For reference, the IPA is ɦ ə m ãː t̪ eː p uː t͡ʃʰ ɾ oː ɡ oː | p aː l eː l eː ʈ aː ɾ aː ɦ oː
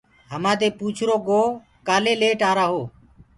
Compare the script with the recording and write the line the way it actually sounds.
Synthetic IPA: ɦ ə m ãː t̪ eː p uː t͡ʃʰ ɾ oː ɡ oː | k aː l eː l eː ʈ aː ɾ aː ɦ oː